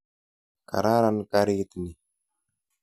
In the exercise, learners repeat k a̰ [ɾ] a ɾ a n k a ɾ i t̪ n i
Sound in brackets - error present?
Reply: no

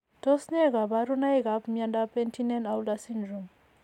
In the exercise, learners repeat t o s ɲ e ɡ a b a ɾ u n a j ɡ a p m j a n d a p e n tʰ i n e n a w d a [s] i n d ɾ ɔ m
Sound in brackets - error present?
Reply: no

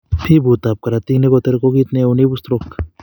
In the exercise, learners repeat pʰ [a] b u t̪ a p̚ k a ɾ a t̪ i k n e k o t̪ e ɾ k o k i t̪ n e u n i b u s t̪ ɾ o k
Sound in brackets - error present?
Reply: yes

